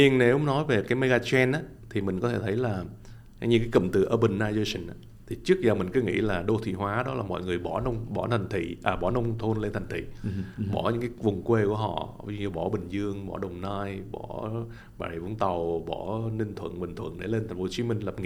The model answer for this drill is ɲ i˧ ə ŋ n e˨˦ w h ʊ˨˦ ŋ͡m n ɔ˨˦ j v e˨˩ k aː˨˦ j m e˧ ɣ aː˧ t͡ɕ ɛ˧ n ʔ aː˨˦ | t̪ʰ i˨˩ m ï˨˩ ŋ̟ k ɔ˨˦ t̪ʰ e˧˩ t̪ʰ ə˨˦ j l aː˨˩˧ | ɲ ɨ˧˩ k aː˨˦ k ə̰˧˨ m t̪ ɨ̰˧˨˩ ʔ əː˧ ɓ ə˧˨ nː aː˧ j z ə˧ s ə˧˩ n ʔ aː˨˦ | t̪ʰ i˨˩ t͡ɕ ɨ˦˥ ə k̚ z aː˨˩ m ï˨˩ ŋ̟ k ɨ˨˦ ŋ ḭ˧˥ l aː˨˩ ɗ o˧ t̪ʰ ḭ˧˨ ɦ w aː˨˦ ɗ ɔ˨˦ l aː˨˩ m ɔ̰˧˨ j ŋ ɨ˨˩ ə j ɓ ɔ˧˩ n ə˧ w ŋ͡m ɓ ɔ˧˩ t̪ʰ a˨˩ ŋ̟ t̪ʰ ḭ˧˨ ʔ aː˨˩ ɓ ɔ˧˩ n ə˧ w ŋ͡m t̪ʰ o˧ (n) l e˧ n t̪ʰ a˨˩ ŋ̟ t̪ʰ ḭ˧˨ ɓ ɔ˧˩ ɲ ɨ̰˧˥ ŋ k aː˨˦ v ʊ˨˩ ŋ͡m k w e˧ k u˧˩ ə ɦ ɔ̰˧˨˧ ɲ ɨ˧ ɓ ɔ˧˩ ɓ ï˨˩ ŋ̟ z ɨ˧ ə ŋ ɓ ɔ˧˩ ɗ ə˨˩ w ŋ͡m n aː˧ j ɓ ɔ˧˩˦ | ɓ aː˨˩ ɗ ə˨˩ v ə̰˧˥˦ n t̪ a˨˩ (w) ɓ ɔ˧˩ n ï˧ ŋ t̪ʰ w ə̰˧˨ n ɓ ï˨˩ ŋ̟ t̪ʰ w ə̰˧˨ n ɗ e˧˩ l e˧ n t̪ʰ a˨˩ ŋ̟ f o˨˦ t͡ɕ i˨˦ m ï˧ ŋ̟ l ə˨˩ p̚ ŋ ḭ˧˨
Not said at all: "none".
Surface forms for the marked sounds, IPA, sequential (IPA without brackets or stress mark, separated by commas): n, w